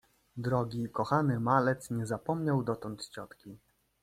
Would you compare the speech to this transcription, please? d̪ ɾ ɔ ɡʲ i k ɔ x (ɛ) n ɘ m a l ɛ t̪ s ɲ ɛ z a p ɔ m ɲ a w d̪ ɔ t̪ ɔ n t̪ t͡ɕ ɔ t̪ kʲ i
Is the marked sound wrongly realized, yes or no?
yes